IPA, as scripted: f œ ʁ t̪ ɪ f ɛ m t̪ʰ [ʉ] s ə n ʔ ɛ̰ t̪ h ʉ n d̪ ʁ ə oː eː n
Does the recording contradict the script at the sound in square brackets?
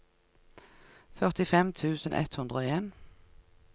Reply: yes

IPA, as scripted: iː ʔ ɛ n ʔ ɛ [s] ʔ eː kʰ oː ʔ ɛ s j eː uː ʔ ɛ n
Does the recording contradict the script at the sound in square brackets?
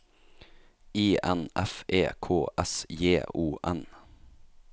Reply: yes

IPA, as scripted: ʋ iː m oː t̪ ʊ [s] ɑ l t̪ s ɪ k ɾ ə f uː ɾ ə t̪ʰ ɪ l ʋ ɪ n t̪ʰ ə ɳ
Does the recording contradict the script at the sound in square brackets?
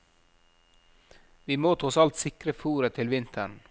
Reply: no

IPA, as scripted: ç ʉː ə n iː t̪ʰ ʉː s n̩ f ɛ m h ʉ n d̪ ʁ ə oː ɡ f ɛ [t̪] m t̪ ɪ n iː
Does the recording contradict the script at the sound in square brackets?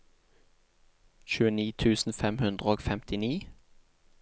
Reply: yes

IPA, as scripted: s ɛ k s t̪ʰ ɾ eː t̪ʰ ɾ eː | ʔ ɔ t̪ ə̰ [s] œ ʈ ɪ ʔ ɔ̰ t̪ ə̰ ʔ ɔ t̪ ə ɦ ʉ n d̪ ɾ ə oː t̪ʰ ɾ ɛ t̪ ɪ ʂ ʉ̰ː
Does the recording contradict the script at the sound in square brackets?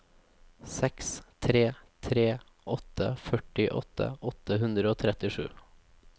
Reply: yes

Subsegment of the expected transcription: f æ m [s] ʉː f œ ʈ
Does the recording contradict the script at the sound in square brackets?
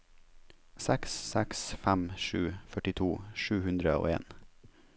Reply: yes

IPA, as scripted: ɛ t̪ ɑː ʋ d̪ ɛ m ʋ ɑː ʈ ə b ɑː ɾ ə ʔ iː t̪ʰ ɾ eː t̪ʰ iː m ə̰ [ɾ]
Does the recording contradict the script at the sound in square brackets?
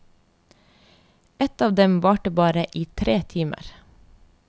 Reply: no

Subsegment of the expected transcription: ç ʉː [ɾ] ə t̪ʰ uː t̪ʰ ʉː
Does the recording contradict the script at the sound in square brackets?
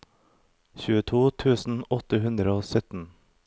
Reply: yes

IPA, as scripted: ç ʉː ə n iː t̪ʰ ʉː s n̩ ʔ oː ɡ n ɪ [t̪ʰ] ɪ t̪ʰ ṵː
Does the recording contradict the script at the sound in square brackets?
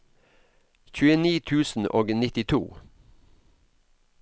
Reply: yes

